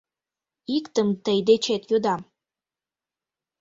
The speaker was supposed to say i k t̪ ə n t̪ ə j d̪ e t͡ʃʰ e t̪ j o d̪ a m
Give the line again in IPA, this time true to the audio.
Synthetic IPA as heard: i k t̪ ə m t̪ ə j d̪ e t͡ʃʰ e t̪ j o d̪ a m